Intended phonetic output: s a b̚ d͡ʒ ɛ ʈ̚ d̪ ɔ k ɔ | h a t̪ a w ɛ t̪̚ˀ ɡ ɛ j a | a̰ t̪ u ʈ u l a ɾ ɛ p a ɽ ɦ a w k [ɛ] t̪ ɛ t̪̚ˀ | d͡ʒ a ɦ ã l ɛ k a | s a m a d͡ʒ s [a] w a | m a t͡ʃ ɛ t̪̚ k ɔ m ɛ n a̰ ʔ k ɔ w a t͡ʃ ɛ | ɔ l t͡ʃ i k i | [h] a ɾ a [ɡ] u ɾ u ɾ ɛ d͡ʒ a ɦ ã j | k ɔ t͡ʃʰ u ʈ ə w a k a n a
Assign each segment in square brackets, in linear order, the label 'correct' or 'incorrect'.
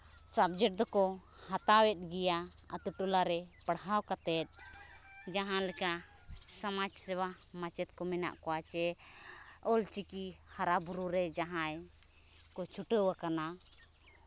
incorrect: a, incorrect: ɛ, correct, incorrect: b

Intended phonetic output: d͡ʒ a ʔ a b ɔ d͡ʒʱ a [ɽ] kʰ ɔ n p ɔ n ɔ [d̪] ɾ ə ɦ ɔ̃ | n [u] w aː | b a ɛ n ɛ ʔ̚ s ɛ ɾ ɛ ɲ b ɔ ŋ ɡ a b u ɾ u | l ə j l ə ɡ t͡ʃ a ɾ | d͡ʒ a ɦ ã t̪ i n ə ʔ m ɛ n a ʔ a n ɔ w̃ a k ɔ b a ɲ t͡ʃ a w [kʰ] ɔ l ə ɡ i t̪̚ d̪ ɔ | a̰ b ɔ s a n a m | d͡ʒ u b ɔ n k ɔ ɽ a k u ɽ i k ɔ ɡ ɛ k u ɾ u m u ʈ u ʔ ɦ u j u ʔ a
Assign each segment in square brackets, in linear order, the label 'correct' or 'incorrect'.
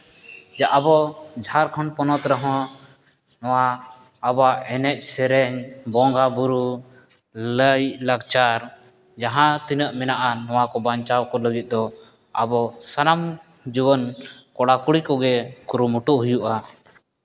incorrect: ɾ, incorrect: t̪, incorrect: ɔ, incorrect: k

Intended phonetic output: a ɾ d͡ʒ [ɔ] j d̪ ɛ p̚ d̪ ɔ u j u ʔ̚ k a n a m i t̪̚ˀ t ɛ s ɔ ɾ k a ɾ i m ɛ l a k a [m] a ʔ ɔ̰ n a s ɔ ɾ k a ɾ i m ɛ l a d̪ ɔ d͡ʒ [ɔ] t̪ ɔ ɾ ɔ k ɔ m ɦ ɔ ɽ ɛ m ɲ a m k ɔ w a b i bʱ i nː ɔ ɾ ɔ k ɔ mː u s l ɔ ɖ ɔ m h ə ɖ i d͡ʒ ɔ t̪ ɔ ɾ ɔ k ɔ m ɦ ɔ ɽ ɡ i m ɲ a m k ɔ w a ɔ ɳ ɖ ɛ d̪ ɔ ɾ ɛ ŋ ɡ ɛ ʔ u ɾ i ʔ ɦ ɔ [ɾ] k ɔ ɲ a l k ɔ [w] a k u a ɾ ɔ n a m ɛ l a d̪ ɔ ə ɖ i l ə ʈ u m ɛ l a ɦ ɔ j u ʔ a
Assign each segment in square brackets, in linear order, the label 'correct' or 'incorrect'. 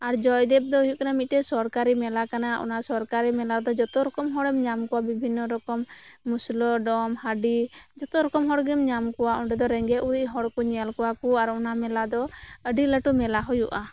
correct, incorrect: n, correct, incorrect: ɽ, correct

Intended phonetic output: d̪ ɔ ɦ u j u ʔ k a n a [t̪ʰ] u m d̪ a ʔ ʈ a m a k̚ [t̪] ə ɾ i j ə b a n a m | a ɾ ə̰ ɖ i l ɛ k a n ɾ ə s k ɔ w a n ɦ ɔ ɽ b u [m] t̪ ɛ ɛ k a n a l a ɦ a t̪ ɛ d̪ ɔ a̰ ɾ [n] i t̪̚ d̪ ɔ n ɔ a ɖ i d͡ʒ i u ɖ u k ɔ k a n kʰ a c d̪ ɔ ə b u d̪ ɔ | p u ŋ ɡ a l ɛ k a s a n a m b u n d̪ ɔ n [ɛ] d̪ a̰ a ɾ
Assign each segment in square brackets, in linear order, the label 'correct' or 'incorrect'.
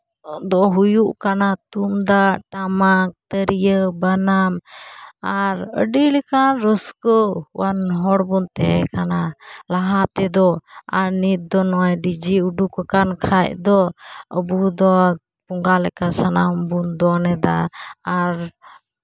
incorrect: t̪, correct, incorrect: n, correct, correct

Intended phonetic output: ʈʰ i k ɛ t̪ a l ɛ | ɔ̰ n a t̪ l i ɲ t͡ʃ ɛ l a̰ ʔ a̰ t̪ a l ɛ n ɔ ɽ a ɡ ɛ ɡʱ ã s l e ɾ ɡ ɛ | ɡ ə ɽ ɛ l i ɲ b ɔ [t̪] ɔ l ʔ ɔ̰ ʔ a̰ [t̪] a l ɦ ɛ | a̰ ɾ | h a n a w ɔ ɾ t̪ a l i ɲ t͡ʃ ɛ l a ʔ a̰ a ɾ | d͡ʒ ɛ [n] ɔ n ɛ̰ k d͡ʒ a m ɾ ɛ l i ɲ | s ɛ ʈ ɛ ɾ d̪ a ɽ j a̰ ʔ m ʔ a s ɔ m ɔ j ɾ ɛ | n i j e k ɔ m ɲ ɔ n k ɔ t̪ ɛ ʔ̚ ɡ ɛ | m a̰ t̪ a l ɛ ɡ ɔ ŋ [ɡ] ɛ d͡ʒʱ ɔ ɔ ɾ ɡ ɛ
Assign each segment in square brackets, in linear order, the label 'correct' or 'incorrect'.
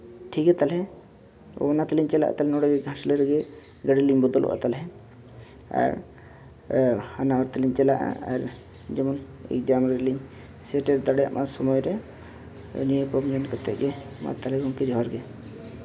incorrect: d̪, correct, incorrect: m, incorrect: k

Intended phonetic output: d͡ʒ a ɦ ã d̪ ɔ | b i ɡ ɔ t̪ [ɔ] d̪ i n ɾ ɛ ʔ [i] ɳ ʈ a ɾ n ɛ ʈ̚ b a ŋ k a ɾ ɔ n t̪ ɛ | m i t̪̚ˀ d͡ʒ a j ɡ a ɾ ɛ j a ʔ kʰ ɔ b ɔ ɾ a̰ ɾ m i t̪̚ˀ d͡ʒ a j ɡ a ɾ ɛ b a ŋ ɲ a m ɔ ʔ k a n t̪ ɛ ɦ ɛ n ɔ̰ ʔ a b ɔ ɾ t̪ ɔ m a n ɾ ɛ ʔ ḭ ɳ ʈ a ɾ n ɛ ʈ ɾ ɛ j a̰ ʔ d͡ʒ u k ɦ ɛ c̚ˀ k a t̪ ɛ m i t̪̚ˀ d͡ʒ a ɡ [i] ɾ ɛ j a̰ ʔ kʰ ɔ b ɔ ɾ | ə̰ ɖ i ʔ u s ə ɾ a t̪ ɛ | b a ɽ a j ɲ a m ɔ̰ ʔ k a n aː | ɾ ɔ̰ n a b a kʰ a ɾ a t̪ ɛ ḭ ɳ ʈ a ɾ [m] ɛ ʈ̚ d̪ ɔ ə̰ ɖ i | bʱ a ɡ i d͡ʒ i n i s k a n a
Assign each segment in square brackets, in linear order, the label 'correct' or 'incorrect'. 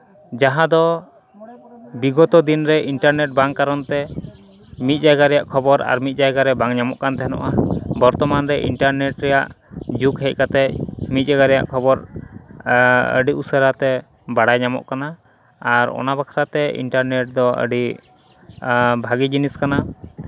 correct, correct, incorrect: a, incorrect: n

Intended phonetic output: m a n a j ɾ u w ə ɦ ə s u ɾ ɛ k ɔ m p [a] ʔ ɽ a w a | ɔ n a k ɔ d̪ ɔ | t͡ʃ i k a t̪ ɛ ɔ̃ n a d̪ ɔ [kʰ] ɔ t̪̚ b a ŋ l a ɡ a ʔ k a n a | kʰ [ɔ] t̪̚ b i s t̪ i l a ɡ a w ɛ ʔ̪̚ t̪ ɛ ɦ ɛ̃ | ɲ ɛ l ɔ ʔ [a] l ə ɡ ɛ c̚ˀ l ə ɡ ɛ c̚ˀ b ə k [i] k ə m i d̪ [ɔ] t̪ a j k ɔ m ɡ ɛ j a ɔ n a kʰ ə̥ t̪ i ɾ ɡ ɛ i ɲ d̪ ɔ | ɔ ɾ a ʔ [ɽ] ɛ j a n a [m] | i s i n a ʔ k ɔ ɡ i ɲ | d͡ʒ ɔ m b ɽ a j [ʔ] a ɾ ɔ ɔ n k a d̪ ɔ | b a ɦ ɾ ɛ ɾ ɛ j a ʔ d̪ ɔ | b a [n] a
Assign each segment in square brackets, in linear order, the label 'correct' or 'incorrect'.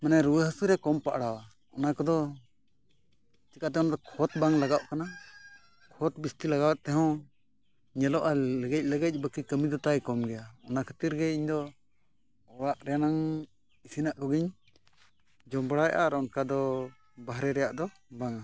correct, correct, correct, correct, correct, correct, incorrect: ɾ, incorrect: ŋ, correct, incorrect: ŋ

